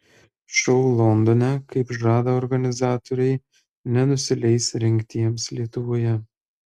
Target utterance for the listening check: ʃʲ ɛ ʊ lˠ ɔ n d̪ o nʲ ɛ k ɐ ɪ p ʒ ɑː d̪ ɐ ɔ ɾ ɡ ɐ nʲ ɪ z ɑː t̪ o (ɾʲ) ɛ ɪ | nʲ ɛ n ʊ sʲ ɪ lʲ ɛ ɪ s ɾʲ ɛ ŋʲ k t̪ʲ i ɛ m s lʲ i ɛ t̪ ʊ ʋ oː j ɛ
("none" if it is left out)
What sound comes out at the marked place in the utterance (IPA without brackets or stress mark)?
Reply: ɾʲ